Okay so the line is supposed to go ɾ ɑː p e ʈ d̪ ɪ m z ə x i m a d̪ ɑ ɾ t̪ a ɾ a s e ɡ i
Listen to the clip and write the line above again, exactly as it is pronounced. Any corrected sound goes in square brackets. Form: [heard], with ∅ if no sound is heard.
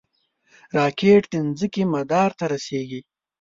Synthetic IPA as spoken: ɾ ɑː [k] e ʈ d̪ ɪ [n] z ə [k] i m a d̪ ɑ ɾ t̪ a ɾ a s e ɡ i